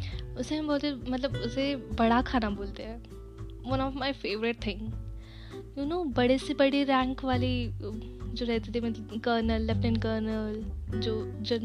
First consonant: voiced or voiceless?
voiceless